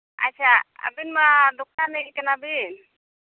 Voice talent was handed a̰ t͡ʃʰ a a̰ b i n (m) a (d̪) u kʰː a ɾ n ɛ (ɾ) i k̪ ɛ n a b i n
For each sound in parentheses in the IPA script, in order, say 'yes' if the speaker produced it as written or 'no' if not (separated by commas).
yes, yes, no